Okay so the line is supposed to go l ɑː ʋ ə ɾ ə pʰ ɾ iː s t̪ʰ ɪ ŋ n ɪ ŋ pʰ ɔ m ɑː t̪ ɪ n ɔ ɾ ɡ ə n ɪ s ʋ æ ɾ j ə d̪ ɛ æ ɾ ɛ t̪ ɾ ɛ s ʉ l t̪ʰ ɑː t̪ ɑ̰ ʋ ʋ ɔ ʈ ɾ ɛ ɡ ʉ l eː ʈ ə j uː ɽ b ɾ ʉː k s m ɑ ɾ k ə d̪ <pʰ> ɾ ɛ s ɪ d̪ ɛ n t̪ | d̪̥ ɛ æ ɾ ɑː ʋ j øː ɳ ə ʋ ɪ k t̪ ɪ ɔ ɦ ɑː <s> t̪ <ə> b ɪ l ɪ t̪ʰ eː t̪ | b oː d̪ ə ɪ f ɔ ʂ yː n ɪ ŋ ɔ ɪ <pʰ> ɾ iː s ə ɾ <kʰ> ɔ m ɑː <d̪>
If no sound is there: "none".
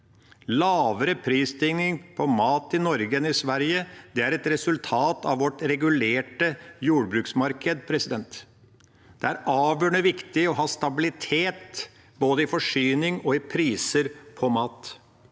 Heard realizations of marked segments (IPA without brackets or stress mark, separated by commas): pʰ, s, ɑ, pʰ, pʰ, t̪